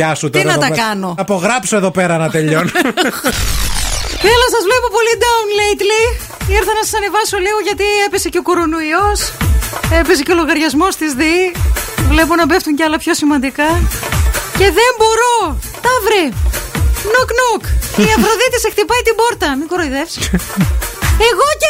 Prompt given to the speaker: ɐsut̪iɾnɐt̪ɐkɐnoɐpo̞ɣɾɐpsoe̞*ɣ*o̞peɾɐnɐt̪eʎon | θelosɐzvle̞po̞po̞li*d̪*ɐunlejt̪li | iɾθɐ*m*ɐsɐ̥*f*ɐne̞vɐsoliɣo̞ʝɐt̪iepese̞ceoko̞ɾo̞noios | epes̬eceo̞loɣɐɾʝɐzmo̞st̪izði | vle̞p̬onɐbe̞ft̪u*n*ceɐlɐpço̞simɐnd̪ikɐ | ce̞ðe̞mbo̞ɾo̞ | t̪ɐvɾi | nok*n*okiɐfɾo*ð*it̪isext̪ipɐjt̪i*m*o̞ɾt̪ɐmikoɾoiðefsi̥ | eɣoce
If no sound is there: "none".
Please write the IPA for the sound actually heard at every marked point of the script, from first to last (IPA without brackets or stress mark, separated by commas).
ð, d̪, n, s, ɲ, n, ð, b